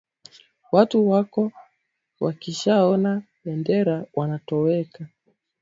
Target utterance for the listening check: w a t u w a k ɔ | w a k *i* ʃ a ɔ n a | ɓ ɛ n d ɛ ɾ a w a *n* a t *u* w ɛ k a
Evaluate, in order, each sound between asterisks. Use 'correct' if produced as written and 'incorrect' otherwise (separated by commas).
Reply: correct, correct, incorrect